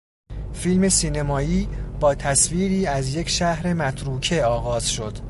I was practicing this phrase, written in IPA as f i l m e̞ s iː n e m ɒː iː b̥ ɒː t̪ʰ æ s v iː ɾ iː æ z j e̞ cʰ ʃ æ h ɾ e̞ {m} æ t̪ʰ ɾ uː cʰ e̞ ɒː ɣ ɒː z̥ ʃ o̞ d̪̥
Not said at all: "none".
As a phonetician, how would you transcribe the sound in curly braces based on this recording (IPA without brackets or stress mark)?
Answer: m